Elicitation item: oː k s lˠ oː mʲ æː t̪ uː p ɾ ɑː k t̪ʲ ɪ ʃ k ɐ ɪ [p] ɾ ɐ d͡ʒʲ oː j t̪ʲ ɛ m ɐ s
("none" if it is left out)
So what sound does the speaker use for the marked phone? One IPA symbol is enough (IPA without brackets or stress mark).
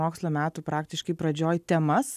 p